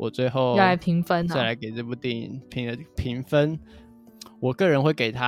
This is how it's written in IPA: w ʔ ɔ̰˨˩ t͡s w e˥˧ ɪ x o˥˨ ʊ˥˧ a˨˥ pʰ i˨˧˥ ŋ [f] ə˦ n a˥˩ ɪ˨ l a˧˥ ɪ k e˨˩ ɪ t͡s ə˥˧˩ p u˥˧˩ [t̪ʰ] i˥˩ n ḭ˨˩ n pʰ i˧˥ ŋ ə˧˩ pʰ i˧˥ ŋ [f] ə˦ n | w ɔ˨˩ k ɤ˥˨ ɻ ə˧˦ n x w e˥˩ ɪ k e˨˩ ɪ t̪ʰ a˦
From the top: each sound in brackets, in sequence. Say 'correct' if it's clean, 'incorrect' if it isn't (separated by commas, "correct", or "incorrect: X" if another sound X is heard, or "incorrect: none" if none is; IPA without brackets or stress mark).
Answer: correct, incorrect: t̪, correct